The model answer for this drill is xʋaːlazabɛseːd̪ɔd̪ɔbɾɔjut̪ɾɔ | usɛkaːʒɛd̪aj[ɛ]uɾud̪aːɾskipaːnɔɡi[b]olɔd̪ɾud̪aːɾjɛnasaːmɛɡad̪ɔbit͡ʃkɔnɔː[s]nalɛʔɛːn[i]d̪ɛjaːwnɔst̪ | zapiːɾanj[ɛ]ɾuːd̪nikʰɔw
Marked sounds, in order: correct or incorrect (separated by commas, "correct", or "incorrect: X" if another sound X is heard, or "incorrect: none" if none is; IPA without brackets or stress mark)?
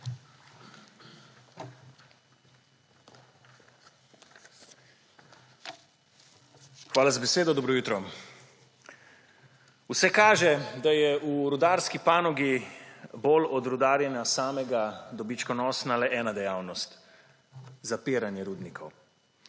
correct, correct, correct, incorrect: a, correct